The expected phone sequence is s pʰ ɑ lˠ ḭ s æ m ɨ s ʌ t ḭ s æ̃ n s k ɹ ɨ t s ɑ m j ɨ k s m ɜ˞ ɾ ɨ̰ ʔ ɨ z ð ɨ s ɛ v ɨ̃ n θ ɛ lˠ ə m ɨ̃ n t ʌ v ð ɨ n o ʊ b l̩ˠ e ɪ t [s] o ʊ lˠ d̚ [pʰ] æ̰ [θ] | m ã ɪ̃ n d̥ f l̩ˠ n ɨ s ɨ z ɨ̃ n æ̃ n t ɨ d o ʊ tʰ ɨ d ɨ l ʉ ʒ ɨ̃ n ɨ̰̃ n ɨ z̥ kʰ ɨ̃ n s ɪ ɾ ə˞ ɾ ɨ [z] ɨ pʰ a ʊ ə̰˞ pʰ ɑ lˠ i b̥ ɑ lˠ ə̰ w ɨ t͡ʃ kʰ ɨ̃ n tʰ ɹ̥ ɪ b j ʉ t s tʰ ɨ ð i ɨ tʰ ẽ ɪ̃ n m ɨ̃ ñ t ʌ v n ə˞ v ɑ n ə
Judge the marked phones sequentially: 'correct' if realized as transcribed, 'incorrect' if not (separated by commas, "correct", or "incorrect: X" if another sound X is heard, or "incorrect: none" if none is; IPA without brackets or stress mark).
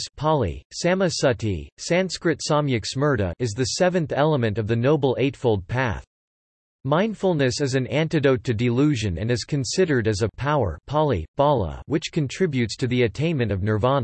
incorrect: f, correct, correct, correct